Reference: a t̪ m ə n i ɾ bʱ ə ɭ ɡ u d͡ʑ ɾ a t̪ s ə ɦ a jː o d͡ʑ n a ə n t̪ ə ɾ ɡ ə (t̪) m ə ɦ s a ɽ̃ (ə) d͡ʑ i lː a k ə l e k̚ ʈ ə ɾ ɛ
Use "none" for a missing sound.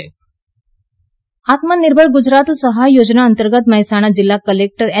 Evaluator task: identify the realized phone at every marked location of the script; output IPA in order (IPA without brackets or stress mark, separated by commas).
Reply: t̪, a